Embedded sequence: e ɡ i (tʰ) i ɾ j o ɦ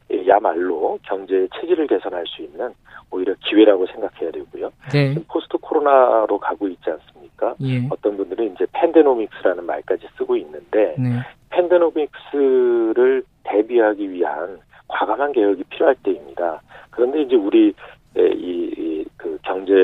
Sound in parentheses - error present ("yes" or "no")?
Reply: yes